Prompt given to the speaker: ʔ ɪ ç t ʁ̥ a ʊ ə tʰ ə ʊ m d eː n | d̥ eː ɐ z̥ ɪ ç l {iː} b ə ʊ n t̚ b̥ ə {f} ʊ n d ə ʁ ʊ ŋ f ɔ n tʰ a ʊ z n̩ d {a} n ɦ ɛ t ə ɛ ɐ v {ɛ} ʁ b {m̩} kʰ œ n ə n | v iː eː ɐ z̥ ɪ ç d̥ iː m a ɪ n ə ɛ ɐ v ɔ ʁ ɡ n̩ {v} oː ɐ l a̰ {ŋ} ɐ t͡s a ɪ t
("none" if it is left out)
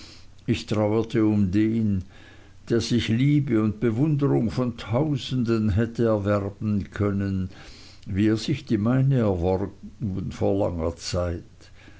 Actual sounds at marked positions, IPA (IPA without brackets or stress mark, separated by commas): iː, v, ə, ɛ, n̩, f, ŋ